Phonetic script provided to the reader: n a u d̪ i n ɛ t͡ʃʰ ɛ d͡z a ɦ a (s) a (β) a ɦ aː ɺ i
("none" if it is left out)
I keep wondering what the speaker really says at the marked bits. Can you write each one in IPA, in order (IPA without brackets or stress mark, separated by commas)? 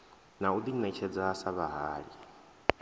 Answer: s, β